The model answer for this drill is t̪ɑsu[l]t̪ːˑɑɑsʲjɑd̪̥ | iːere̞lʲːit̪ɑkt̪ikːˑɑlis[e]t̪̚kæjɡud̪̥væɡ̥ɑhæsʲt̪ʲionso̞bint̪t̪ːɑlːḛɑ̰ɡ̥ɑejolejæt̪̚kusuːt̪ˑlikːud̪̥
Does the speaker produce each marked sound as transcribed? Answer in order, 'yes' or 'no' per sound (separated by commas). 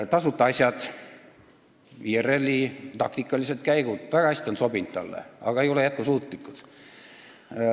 no, yes